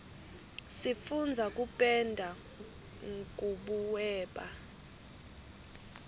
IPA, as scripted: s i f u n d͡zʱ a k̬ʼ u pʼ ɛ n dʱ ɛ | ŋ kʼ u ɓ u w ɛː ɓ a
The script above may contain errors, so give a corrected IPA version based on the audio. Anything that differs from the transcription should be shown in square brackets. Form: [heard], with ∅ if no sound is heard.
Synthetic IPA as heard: s i f u n d͡zʱ a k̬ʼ u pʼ ɛ n dʱ [a] | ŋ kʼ u ɓ u w ɛː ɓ a